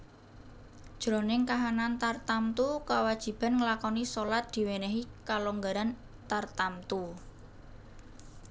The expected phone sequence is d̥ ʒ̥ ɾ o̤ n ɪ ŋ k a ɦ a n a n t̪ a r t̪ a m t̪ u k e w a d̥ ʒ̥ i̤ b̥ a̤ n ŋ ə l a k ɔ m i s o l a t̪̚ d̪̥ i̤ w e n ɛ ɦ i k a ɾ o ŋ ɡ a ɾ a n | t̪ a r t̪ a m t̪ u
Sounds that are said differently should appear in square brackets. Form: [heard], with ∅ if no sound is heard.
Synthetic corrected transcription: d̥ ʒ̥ ɾ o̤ n ɪ ŋ k a ɦ a n a n t̪ a r t̪ a m t̪ u k [a] w a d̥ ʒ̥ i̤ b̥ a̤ n ŋ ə l a k ɔ [n] i s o l a t̪̚ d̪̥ i̤ w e n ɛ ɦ i k a [l] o ŋ ɡ a ɾ a n | t̪ a r t̪ a m t̪ u

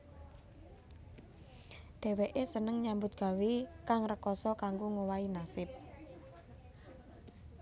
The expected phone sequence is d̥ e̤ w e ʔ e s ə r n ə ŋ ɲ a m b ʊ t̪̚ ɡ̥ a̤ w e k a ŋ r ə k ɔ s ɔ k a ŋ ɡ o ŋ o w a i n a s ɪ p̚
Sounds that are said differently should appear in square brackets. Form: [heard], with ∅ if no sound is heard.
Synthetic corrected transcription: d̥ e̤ w e ʔ e s ə [∅] n ə ŋ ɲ a m b ʊ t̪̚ ɡ̥ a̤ w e k a ŋ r ə k ɔ s ɔ k a ŋ ɡ o ŋ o w a i n a s ɪ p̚

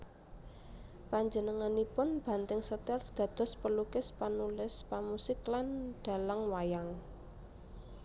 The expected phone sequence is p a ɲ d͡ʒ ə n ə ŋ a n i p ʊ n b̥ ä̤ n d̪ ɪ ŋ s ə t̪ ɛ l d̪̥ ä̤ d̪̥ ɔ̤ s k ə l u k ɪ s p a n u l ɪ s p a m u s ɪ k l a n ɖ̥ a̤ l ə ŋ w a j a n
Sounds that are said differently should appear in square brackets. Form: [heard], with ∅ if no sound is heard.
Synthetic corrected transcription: p a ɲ d͡ʒ ə n ə ŋ a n i p ʊ n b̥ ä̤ n [t̪] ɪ ŋ s ə t̪ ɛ [r] d̪̥ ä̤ d̪̥ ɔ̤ s [p] ə l u k ɪ s p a n u l ɪ s p a m u s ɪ k l a n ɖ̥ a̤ l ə ŋ w a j a [ŋ]

